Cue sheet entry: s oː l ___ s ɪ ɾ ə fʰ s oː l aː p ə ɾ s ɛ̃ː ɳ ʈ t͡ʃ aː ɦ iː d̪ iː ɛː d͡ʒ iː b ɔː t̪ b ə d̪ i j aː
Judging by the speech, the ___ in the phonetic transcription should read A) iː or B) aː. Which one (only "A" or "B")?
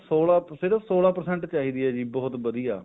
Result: B